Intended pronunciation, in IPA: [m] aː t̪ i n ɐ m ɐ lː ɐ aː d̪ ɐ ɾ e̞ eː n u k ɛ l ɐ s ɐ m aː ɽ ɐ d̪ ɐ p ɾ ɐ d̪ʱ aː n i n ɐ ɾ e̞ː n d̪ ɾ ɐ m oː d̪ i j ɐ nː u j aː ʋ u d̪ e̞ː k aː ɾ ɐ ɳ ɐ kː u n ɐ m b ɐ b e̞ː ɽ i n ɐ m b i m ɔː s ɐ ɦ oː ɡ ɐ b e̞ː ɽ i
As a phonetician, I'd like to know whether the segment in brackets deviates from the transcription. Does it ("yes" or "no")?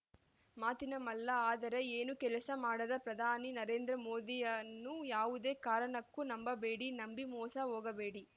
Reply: no